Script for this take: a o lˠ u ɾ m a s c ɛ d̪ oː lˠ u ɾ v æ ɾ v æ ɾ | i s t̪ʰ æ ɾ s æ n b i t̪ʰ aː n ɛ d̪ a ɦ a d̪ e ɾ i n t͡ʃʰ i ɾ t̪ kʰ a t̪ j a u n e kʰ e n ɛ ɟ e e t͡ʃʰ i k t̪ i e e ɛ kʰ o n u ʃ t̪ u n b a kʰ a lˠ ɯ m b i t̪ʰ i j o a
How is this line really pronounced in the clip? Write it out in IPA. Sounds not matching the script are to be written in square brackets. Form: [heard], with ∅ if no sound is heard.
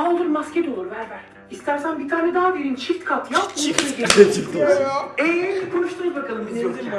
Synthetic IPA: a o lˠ u ɾ m a s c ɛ d̪ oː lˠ u ɾ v æ ɾ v æ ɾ | i s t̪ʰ æ ɾ s æ n b i t̪ʰ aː n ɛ d̪ a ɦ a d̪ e ɾ i n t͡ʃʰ i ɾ t̪ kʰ a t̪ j a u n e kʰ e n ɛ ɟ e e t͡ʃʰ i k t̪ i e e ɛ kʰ o n u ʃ t̪ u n b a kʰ a lˠ ɯ m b i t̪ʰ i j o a